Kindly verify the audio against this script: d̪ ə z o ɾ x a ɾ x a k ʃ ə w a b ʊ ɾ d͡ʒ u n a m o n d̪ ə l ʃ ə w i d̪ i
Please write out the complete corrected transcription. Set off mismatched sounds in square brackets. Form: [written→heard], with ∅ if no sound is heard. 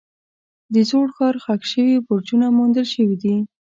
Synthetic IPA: d̪ ə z o [ɾ→ɽ] x [a→ɑ] ɾ x a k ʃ ə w [a→i] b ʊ ɾ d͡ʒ u n a m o n d̪ ə l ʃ ə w i d̪ i